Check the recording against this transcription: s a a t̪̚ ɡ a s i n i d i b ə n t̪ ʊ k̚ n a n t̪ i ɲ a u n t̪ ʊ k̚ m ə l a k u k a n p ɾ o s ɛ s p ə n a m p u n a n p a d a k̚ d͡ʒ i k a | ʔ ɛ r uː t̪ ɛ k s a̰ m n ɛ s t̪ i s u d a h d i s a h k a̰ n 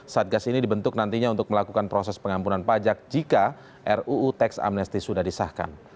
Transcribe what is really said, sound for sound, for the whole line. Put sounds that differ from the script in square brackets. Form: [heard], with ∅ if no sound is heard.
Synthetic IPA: s a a t̪̚ ɡ a s i n i d i b ə n t̪ ʊ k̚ n a n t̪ i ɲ a u n t̪ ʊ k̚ m ə l a k u k a n p ɾ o s ɛ s p ə [ŋ] a m p u n a n p a [d͡ʒ] a k̚ d͡ʒ i k a | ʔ ɛ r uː t̪ ɛ k s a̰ m n ɛ s t̪ i s u d a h d i s a h k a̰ n